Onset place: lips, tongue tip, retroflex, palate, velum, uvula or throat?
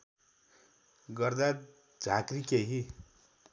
velum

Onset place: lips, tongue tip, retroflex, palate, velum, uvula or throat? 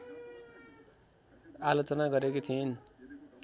tongue tip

